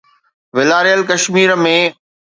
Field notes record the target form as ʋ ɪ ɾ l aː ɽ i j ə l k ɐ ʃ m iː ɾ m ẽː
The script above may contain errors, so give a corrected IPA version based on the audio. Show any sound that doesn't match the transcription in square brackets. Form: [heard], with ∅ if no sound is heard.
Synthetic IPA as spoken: ʋ ɪ [∅] l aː [ɾ] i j ə l k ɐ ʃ m iː ɾ m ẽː